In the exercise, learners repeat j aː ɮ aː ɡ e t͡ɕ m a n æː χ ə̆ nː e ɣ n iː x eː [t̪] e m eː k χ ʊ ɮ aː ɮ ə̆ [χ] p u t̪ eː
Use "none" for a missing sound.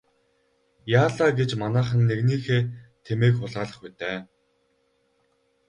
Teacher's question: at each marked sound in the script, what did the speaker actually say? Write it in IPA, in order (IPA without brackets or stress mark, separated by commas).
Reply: t̪ʰ, χ